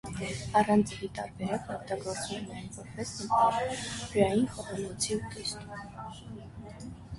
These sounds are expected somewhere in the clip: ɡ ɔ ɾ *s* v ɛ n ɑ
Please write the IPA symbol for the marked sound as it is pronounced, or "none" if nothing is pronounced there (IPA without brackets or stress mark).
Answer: t͡s